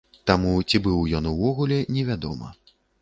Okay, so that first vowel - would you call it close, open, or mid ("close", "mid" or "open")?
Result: open